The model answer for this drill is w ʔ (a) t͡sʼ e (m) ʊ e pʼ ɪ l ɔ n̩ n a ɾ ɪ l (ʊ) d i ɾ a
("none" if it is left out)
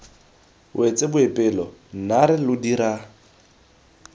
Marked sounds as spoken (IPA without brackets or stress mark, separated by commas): e, b, ʊ